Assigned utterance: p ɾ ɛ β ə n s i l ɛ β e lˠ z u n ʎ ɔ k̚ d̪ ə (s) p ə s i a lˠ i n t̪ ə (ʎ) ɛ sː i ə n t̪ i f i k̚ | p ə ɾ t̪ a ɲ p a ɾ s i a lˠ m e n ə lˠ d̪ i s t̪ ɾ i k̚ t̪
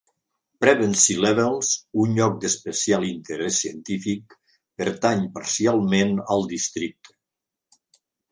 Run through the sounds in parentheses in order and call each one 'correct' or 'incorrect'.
correct, incorrect

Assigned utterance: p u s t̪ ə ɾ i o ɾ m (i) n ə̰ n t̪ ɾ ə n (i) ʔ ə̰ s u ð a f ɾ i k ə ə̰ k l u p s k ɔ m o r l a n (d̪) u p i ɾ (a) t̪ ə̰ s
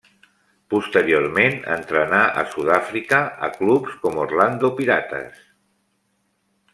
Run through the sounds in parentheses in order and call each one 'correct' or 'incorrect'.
incorrect, incorrect, correct, correct

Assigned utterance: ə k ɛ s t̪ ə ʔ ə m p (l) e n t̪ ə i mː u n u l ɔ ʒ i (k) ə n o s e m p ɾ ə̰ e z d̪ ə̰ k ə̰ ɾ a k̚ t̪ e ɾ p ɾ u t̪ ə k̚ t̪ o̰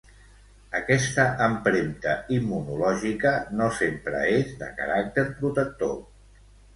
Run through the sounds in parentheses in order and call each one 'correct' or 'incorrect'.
incorrect, correct

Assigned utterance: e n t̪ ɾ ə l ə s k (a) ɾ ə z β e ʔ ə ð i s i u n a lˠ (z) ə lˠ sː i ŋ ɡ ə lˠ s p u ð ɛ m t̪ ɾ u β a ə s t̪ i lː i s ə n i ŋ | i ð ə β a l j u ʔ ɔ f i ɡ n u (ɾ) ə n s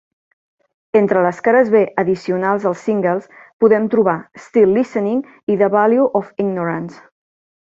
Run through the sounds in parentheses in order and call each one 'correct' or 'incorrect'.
correct, correct, correct

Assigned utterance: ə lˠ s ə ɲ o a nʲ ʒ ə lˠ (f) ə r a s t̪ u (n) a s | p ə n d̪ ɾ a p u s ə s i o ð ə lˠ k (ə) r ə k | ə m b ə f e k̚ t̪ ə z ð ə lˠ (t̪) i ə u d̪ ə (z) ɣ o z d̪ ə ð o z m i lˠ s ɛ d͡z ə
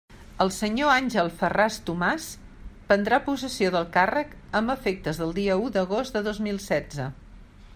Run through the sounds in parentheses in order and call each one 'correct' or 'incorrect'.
correct, incorrect, incorrect, incorrect, incorrect

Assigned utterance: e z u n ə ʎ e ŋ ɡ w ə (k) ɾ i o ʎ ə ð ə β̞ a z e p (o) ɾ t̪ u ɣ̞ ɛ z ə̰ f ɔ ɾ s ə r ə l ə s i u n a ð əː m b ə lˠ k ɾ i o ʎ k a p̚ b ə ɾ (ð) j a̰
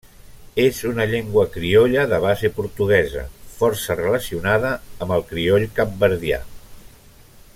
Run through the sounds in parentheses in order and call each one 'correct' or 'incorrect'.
correct, incorrect, correct

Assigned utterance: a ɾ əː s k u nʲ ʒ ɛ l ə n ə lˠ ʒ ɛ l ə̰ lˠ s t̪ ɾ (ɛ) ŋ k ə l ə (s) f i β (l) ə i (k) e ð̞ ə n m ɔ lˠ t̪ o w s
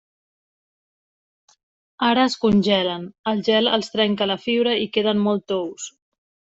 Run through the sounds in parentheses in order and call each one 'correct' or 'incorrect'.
correct, incorrect, incorrect, correct

